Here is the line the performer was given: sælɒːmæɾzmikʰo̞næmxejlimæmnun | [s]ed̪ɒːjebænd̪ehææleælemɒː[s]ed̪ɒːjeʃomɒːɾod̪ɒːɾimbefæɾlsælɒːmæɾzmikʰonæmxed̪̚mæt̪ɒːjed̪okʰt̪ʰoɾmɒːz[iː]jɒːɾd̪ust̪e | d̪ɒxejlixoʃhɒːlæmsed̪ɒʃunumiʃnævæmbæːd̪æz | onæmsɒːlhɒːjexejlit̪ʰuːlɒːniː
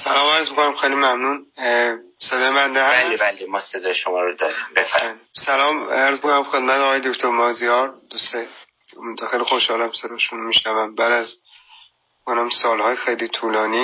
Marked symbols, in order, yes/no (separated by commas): yes, yes, no